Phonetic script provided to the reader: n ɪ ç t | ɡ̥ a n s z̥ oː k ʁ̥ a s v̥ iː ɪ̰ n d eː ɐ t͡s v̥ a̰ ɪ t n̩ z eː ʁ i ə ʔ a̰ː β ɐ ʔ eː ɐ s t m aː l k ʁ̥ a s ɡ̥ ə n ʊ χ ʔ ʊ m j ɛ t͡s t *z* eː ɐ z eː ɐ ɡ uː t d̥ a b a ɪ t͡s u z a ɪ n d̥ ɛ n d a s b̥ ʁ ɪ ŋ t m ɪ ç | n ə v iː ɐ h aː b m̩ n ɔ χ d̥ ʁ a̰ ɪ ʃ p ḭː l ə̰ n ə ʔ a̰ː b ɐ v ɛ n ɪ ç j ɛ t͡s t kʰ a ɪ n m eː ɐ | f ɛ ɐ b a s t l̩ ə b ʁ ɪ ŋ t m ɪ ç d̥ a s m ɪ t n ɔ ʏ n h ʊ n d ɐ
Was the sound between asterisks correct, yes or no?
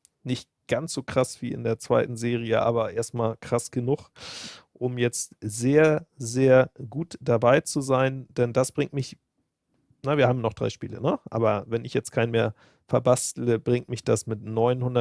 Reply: yes